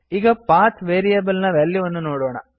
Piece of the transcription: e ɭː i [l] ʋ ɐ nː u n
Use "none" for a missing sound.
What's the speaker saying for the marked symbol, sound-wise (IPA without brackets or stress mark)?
none